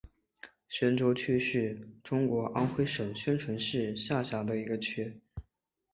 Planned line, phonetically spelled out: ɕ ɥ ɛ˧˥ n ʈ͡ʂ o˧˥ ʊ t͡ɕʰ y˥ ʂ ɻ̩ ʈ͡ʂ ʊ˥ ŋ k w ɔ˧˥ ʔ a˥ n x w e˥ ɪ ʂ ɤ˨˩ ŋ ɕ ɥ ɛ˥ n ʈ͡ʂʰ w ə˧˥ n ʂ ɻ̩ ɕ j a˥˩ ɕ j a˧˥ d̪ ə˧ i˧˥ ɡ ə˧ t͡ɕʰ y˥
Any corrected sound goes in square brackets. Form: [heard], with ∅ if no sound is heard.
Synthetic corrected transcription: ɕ ɥ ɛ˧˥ n ʈ͡ʂ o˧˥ ʊ t͡ɕʰ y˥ ʂ ɻ̩ ʈ͡ʂ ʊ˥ ŋ k w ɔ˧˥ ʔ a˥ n x w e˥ ɪ ʂ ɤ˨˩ ŋ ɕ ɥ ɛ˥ n ʈ͡ʂʰ w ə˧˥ n ʂ ɻ̩ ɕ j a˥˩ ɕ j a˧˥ d̪ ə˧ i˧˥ ɡ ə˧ t͡ɕʰ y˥